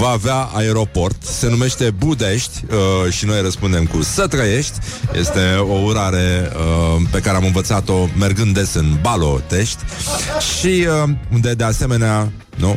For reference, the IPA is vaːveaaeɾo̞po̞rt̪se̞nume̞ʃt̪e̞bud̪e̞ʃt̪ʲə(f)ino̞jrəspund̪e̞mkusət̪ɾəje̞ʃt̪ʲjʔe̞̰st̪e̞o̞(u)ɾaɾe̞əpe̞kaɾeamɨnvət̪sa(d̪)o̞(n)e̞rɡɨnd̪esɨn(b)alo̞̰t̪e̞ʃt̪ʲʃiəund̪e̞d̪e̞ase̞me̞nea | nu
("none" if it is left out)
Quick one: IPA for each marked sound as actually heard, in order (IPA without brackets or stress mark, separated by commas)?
ʃ, u, t̪, m, b